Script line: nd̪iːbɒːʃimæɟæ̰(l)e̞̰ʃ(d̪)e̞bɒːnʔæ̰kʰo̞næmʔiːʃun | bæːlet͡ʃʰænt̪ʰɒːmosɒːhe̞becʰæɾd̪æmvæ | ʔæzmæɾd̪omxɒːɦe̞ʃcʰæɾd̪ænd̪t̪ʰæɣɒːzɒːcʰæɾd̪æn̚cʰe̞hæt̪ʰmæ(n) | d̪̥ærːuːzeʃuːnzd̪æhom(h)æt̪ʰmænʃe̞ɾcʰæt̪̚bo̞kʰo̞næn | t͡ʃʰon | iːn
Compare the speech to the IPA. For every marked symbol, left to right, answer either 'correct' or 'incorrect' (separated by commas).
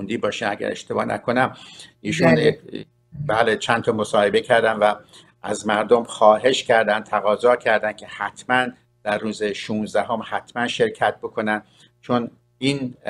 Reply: incorrect, incorrect, correct, correct